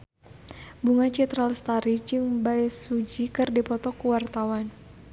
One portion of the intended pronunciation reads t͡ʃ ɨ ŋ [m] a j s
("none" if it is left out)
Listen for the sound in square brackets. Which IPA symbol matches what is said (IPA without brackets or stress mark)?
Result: b